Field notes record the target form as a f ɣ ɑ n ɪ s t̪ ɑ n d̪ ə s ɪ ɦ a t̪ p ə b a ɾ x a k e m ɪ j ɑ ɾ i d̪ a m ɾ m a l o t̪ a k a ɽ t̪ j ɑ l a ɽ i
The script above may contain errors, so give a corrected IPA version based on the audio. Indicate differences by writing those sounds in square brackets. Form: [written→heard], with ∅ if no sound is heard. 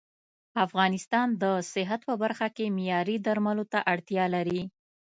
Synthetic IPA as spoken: a f ɣ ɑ n ɪ s t̪ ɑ n d̪ ə s ɪ ɦ a t̪ p ə b a ɾ x a k e m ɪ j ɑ ɾ i d̪ a [m→∅] ɾ m a l o t̪ a [k→ʔ] a ɽ t̪ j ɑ l a [ɽ→ɾ] i